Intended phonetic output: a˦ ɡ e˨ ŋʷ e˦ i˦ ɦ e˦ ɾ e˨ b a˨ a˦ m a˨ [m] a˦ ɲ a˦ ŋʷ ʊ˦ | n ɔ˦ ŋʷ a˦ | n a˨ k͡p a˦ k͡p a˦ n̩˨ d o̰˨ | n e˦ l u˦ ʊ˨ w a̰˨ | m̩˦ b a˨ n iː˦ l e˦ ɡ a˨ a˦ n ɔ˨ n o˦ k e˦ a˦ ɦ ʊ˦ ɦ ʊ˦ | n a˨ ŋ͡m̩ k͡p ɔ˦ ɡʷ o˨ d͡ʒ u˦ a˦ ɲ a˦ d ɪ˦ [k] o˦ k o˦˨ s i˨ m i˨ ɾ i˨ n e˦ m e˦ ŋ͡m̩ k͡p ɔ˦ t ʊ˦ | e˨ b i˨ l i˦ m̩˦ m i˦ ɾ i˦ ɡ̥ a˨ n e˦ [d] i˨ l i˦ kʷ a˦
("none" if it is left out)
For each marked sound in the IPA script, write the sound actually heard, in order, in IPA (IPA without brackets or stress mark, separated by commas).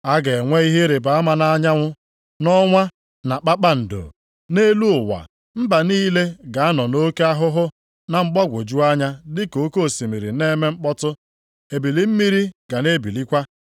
n, k, b